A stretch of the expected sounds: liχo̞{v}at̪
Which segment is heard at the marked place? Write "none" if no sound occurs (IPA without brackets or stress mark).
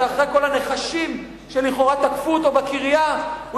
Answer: ʁ